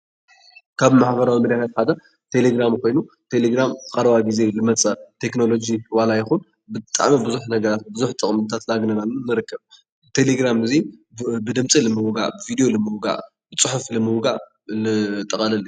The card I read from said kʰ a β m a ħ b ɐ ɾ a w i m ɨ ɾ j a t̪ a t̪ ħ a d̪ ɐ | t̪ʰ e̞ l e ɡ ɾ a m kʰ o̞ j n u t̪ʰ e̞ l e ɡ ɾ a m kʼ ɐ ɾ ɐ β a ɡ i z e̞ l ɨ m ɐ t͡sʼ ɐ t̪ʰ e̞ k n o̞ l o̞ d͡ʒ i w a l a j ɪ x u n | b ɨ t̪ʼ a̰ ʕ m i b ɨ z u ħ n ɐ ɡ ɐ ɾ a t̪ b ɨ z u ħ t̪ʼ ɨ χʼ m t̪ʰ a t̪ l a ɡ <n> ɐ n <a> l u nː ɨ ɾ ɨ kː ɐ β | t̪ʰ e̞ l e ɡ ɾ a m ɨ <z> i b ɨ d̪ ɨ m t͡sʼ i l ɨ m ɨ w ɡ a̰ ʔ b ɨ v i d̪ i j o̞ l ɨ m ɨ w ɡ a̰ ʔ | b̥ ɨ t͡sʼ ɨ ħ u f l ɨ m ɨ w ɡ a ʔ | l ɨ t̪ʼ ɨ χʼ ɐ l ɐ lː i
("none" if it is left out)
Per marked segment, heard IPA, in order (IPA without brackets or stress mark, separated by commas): n, a, z